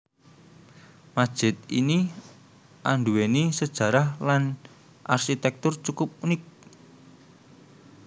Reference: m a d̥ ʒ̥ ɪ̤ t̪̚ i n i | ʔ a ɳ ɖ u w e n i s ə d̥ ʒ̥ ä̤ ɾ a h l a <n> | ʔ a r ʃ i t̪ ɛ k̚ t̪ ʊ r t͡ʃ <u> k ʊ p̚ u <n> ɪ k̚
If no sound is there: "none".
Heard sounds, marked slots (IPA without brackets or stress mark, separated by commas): n, u, n